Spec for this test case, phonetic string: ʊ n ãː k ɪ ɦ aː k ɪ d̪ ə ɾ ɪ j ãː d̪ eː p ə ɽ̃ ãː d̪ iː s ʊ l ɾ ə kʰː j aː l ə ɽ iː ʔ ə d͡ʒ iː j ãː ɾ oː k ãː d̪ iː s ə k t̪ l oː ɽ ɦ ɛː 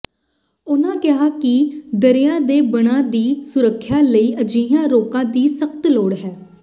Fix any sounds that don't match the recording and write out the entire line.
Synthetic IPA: ʊ n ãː k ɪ ɦ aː k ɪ d̪ ə ɾ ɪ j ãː d̪ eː b ə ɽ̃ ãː d̪ iː s ʊ ɾ ə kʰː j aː l ə iː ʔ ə d͡ʒ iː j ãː ɾ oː k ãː d̪ iː s ə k t̪ l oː ɽ ɦ ɛː